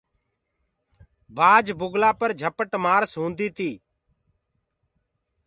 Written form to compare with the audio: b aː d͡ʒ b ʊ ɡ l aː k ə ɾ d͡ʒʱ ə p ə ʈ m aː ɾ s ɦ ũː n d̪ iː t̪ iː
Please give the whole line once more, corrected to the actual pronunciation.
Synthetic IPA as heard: b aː d͡ʒ b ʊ ɡ l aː p ə ɾ d͡ʒʱ ə p ə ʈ m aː ɾ s ɦ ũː n d̪ iː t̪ iː